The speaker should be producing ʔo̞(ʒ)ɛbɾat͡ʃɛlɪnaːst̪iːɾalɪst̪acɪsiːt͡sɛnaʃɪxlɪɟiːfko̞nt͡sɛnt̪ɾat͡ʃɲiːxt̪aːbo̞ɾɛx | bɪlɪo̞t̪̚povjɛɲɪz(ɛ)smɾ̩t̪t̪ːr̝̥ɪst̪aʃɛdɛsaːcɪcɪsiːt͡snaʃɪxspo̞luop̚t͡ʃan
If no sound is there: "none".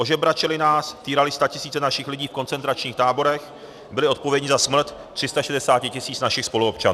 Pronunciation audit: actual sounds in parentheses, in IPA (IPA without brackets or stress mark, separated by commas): ʒ, a